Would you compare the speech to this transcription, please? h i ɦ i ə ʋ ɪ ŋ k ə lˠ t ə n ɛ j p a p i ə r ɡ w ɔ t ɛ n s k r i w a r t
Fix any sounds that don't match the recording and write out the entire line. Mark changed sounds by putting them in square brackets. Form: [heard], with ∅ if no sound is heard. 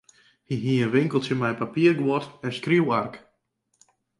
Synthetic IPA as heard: h i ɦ i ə ʋ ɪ ŋ k ə lˠ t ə [m] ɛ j p a p i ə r ɡ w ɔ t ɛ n s k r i w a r [k]

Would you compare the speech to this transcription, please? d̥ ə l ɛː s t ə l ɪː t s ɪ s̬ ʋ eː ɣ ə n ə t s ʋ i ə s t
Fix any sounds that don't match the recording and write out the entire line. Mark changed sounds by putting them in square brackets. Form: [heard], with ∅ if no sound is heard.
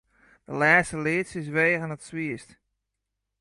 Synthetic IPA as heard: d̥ ə l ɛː s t ə l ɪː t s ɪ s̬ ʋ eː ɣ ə n ə t s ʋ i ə s t

